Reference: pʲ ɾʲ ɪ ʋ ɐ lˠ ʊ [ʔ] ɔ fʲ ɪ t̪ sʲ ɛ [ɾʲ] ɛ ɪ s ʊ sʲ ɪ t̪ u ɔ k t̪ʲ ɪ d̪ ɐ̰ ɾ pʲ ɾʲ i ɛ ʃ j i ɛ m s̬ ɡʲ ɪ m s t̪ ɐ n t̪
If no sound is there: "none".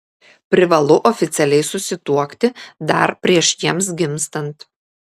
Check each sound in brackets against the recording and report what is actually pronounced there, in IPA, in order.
ʔ, lʲ

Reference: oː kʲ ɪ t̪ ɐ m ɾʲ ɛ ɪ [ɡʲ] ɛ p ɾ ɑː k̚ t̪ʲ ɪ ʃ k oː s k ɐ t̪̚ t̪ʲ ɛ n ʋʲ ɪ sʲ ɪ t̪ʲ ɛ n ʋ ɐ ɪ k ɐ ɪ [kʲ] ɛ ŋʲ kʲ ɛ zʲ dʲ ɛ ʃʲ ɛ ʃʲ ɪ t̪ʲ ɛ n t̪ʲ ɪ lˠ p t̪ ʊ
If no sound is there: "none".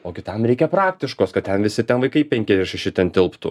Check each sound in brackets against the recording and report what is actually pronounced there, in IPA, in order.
kʲ, pʲ

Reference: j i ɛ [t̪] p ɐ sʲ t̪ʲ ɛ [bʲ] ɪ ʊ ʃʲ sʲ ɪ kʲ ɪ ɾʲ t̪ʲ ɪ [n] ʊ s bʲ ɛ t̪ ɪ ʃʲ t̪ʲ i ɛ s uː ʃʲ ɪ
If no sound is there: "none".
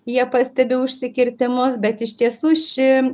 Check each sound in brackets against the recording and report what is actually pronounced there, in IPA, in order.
none, bʲ, m

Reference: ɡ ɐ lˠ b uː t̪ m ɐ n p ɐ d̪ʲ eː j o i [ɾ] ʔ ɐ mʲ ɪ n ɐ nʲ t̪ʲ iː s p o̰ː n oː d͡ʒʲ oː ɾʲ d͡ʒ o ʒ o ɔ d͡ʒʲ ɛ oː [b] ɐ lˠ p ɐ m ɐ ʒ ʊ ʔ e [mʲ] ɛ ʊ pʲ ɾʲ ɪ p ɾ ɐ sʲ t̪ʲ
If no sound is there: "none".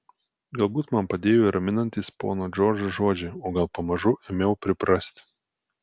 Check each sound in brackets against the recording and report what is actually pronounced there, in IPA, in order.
ɾ, ɡ, mʲ

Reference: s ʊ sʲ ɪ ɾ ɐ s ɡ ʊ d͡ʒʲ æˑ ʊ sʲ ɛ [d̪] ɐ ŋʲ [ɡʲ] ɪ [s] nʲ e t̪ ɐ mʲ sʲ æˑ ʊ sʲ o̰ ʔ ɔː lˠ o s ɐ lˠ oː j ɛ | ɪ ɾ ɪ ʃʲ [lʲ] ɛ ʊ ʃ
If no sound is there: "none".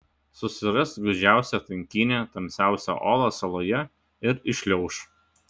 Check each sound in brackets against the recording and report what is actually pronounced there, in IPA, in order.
t̪, kʲ, none, lʲ

